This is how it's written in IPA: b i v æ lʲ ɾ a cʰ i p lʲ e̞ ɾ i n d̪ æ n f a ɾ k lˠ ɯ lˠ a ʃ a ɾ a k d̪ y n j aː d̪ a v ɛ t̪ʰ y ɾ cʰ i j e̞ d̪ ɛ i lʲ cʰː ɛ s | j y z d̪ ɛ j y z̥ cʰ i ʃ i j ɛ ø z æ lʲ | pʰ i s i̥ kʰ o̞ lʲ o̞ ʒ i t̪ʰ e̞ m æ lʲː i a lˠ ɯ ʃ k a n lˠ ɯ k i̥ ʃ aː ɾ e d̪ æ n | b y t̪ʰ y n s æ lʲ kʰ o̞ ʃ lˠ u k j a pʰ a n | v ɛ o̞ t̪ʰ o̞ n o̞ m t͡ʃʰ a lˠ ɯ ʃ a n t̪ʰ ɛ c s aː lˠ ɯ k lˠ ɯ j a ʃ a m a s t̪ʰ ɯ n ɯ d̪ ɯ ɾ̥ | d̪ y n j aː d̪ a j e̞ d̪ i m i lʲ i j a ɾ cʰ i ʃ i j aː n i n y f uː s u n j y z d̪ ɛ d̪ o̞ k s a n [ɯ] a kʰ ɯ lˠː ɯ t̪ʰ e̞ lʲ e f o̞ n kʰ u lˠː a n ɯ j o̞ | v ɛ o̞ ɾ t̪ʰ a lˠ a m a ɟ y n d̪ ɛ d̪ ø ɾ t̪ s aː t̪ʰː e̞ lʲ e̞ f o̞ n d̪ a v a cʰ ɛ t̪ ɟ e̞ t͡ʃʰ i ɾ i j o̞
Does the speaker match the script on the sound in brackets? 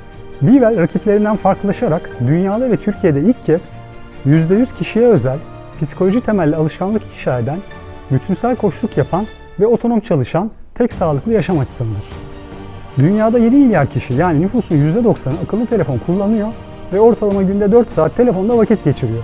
yes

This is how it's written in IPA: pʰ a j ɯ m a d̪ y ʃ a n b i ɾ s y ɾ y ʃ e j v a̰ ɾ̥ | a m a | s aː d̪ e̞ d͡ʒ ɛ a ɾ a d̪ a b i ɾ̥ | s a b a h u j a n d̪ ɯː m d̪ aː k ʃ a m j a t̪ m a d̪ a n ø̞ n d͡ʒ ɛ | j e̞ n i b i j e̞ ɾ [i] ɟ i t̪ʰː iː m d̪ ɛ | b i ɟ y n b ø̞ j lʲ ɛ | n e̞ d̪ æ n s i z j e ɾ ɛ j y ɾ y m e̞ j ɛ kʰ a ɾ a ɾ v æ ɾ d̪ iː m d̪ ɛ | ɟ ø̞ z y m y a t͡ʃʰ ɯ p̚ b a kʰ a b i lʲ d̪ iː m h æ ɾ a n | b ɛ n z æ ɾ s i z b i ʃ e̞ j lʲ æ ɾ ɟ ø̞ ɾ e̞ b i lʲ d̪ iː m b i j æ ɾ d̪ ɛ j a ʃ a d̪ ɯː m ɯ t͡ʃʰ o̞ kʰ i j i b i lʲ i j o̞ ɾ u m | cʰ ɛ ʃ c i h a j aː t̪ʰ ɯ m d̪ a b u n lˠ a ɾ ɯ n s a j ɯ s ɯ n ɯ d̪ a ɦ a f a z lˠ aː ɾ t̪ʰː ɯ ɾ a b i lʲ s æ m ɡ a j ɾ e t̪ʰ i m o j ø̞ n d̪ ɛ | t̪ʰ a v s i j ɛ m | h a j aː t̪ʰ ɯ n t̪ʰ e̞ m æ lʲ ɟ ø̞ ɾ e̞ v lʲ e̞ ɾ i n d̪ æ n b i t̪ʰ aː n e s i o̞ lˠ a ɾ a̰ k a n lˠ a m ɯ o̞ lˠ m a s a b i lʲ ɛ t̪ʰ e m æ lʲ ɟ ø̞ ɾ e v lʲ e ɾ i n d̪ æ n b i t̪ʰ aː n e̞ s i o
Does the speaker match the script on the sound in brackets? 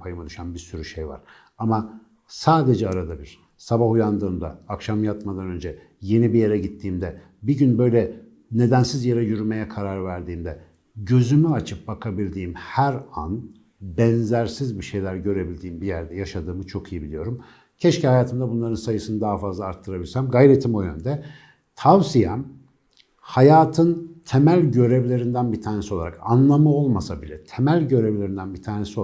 no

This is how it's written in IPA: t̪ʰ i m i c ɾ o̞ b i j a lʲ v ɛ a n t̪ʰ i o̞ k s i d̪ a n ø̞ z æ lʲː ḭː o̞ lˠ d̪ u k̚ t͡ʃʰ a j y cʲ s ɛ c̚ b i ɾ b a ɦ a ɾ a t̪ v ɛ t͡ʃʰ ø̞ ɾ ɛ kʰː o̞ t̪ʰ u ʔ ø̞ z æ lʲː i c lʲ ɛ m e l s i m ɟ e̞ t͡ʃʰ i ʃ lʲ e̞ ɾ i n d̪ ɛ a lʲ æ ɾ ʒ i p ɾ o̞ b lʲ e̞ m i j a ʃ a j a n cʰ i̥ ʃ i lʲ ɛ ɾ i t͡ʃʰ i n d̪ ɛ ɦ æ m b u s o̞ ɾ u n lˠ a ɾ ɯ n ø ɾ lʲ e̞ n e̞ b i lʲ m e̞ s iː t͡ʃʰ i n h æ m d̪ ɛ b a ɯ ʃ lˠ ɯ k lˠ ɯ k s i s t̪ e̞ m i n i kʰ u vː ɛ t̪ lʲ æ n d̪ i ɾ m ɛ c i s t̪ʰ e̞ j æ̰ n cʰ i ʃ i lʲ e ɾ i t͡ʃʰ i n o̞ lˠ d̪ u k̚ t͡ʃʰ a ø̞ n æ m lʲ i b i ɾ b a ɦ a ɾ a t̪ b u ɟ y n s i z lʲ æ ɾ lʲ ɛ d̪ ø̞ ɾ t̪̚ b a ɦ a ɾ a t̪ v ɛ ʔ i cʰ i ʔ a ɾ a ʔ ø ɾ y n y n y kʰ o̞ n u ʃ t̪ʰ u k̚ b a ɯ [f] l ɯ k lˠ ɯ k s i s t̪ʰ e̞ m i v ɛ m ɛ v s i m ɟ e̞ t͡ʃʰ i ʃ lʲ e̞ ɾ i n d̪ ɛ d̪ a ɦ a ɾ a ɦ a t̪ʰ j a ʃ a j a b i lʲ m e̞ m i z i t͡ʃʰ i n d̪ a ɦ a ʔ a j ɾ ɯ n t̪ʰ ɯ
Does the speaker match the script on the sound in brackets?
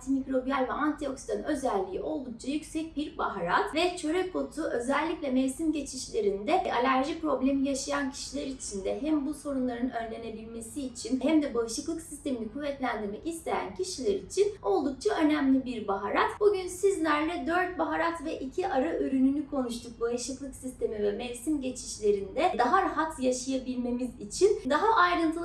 no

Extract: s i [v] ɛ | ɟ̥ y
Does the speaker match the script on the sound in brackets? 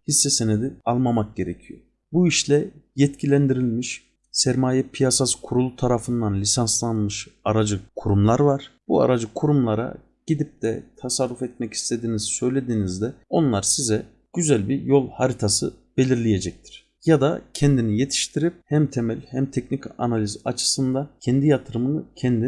no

